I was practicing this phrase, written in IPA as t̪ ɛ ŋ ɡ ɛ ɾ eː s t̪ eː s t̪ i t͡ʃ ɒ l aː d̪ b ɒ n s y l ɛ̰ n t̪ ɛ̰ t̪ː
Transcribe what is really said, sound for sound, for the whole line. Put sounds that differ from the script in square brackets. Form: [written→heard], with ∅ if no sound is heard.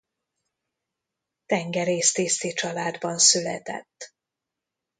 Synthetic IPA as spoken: t̪ ɛ ŋ ɡ ɛ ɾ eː s t̪ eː s t̪ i t͡ʃ ɒ l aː d̪ b ɒ n s y l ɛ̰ [n→∅] t̪ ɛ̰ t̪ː